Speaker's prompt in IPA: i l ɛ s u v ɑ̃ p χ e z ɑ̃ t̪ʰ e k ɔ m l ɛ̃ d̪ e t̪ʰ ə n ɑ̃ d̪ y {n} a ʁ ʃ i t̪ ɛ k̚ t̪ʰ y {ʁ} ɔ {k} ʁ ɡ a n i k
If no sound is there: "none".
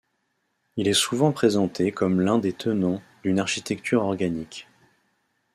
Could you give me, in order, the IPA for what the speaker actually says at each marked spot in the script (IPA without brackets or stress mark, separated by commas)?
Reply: n, ʁ, none